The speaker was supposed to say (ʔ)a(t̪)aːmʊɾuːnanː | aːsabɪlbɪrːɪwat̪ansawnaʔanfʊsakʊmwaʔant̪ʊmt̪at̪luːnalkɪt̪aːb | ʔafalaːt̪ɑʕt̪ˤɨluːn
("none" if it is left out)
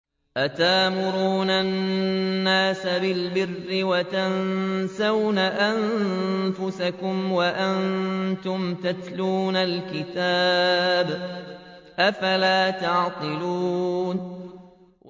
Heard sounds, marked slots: ʔ, t̪

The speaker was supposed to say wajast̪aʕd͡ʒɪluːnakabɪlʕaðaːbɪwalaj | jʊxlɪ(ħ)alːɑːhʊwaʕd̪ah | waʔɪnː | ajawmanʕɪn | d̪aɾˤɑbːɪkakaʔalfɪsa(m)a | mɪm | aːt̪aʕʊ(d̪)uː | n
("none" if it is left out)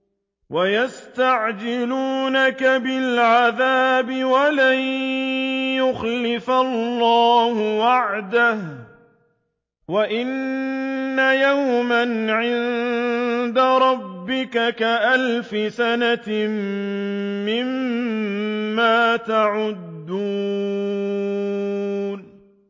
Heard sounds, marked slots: f, n, d̪ː

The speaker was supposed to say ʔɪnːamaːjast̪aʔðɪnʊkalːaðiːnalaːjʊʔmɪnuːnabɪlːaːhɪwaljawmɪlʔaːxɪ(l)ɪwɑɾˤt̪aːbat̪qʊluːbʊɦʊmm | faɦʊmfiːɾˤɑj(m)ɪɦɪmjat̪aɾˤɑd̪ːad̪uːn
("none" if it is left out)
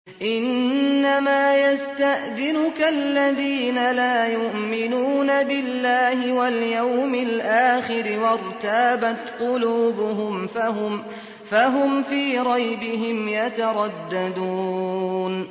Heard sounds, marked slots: ɾ, b

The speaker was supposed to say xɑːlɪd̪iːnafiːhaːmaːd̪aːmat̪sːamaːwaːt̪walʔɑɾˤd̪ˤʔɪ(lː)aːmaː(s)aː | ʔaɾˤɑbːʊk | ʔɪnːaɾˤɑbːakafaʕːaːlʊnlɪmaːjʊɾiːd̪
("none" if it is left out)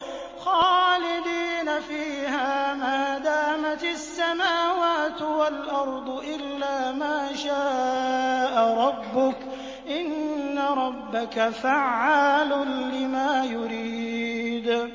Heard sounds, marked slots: lː, ʃ

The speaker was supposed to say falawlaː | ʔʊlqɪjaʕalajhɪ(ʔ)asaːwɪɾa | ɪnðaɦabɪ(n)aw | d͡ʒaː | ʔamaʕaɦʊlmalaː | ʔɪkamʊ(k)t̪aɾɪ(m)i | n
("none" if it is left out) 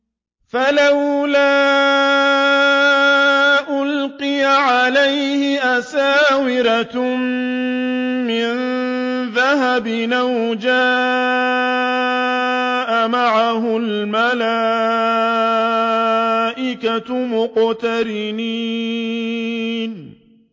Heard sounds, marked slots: ʔ, n, q, n

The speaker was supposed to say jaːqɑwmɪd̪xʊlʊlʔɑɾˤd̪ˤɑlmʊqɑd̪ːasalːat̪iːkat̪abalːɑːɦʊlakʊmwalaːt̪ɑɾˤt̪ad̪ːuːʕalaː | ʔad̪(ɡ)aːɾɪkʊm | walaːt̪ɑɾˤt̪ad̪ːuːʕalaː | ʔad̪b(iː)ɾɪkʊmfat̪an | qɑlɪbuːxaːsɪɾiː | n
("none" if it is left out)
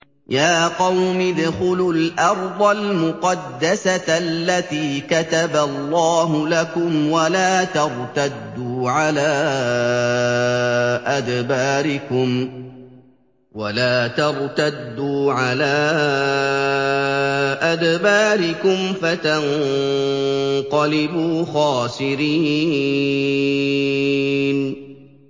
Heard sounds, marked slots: b, aː

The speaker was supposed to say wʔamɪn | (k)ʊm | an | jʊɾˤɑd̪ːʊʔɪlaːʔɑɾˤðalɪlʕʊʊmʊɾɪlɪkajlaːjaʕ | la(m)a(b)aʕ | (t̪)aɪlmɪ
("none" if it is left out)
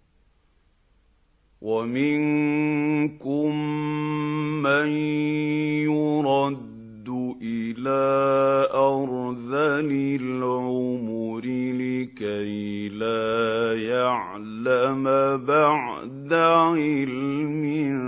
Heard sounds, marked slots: k, m, b, d̪

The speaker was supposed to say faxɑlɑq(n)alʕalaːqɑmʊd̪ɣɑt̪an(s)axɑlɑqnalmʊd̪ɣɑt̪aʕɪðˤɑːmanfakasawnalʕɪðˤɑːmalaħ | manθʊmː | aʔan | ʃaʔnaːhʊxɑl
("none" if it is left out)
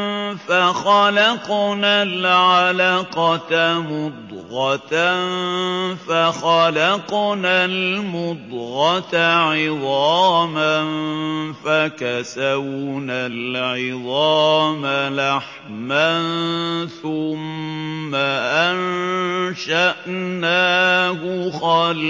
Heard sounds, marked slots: n, f

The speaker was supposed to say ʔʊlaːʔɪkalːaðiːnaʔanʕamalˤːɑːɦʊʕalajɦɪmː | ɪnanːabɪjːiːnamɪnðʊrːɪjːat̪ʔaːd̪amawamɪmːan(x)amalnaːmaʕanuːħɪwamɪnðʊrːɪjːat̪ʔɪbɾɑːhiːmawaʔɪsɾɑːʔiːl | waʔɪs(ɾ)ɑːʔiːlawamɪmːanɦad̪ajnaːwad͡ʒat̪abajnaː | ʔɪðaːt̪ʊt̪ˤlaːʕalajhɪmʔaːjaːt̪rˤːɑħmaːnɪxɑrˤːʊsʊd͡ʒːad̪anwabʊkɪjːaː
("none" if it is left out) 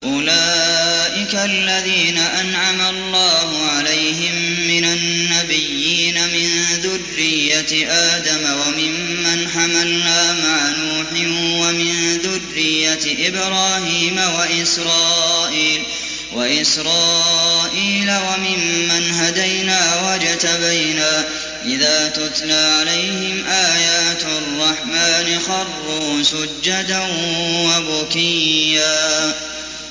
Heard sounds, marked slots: ħ, ɾ

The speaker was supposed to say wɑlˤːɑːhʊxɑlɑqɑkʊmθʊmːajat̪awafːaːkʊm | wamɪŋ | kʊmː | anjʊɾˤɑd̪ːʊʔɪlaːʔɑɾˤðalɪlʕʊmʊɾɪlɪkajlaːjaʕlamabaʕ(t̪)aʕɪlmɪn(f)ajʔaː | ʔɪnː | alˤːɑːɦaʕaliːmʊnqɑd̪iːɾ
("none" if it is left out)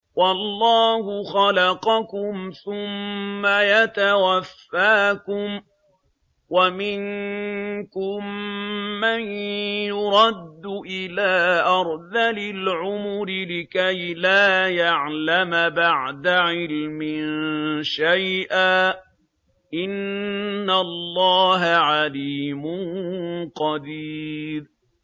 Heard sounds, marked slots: d̪, ʃ

